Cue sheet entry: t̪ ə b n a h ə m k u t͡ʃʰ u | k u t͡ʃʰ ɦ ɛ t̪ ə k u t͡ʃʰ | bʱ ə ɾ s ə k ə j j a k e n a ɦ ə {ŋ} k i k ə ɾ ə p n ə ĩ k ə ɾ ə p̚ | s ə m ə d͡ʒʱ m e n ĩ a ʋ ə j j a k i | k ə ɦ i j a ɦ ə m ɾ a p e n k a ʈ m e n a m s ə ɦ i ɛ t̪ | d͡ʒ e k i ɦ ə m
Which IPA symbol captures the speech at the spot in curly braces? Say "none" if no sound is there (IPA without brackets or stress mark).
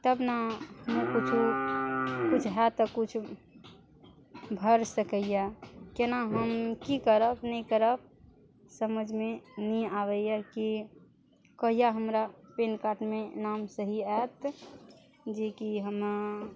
m